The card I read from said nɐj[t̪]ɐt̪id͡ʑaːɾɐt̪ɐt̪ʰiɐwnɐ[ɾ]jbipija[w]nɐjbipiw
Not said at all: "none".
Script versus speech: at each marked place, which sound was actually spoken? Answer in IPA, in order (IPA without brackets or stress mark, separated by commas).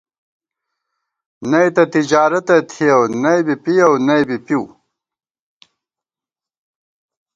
t̪, none, w